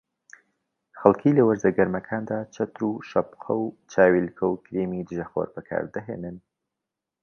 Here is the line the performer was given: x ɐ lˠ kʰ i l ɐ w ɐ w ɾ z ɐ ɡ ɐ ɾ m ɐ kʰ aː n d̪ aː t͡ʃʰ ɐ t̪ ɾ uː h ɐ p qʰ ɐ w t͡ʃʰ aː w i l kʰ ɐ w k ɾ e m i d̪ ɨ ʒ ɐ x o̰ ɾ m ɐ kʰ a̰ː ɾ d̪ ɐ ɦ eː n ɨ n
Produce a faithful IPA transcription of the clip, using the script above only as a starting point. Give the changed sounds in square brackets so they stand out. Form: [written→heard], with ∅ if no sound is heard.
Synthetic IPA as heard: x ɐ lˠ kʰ i l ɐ w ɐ [w→∅] ɾ z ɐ ɡ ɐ ɾ m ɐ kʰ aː n d̪ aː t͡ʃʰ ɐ t̪ ɾ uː [h→ʃ] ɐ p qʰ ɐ w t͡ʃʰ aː w i l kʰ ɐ w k ɾ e m i d̪ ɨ ʒ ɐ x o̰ ɾ [m→b] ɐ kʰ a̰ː ɾ d̪ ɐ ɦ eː n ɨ n